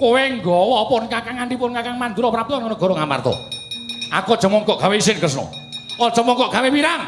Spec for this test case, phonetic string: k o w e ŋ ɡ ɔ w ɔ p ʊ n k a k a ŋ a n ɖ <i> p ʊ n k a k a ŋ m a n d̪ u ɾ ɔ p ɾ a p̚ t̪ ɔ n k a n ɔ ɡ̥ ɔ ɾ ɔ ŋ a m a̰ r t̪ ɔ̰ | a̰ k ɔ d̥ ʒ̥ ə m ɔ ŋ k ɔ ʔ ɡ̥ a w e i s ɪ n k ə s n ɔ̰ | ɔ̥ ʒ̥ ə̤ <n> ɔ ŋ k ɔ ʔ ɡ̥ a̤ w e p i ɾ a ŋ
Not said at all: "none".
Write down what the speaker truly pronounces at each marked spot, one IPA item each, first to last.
i, m

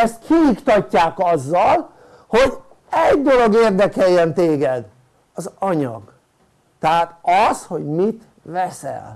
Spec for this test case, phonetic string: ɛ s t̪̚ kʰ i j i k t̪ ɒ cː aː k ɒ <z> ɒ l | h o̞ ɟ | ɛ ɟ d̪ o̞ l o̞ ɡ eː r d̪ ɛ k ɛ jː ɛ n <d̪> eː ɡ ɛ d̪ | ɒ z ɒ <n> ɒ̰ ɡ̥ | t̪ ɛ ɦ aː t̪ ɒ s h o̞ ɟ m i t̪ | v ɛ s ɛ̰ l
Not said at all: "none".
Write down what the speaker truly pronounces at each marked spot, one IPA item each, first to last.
zː, t̪, ɲ

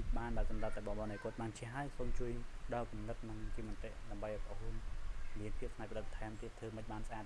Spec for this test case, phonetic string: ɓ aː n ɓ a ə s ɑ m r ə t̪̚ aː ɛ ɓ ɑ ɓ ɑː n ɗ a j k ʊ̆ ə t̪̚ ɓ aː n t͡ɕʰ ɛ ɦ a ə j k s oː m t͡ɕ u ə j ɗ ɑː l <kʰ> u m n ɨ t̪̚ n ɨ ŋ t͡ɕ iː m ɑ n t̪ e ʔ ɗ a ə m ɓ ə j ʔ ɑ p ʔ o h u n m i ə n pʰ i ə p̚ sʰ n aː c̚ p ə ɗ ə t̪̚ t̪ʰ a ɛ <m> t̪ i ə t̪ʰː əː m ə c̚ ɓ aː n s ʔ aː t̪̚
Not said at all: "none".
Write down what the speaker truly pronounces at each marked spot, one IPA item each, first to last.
k, m

